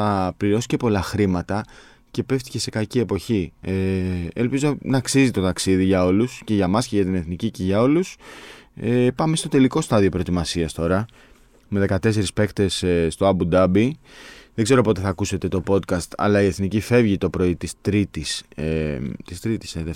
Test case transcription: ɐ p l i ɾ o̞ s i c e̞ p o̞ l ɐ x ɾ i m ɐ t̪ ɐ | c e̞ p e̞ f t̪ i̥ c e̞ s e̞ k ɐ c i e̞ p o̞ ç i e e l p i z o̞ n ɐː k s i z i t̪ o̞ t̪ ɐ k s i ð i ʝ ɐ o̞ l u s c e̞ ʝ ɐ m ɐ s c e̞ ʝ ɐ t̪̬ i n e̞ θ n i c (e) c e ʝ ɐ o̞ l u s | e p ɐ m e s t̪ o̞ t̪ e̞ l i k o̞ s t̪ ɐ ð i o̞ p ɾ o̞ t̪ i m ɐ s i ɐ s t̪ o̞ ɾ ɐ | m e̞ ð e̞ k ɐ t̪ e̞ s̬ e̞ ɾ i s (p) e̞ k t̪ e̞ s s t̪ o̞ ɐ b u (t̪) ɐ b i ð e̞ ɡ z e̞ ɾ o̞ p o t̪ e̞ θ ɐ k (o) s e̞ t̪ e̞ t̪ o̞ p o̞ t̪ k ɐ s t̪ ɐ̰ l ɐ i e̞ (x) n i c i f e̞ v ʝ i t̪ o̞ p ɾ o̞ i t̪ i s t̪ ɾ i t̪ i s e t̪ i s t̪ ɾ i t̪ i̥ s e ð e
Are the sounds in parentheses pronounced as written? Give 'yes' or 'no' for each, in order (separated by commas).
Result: no, yes, no, no, no